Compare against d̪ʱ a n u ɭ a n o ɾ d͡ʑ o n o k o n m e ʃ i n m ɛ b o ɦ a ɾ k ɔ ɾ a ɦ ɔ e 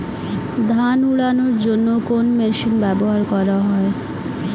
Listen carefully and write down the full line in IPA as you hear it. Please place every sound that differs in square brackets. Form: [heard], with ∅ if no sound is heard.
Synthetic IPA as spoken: d̪ʱ a n u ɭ a n o ɾ d͡ʑ o [nː] o k o n m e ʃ i n [b] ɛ b o ɦ a ɾ k ɔ ɾ a ɦ ɔ e